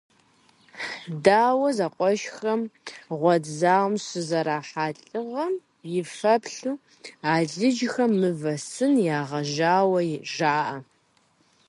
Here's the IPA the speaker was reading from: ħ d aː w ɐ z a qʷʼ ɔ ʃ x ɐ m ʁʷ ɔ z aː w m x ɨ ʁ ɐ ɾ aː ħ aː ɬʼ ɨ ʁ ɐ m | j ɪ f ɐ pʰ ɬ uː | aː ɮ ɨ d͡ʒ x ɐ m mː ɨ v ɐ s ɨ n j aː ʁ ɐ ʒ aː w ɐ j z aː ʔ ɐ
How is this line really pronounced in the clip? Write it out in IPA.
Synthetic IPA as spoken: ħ d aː w ɐ z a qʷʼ ɔ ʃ x ɐ m ʁʷ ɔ z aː w m s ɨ z ɐ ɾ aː ħ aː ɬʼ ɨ ʁ ɐ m | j ɪ f ɐ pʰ ɬ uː | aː ɮ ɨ d͡ʒ x ɐ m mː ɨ v ɐ s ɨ n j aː ʁ ɐ ʒ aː w ɐ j ʒ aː ʔ ɐ